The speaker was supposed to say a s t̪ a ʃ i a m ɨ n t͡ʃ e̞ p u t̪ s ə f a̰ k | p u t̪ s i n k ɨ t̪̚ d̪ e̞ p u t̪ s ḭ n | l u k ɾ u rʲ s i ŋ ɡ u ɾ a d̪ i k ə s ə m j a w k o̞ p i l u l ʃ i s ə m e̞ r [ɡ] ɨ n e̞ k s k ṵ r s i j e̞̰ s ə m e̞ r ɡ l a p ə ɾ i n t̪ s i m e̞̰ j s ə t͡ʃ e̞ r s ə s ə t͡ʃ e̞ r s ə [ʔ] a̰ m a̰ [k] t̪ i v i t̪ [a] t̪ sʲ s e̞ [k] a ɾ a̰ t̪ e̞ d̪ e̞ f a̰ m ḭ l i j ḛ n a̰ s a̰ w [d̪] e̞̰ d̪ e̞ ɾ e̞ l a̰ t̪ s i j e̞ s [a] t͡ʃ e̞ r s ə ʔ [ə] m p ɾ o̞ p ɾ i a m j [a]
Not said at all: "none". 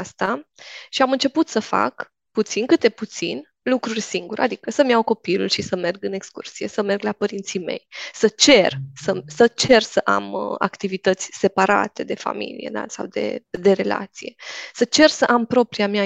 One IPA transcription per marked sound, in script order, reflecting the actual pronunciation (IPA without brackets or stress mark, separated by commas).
ɡ, ʔ, k, ə, p, d̪, ə, a, a